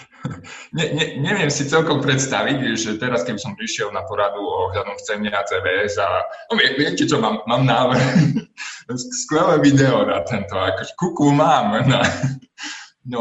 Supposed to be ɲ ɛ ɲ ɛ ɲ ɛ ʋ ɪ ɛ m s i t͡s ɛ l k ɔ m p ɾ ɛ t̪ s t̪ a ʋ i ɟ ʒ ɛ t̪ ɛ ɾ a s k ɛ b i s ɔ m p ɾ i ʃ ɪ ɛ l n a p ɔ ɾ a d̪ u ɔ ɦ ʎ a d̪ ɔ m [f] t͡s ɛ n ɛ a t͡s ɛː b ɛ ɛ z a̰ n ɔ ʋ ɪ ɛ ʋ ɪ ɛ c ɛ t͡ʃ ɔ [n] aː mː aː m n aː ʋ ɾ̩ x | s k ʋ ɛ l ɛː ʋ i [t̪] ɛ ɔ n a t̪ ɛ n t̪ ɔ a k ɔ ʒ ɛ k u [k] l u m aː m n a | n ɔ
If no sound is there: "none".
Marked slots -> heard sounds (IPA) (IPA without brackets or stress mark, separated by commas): f, m, d̪, k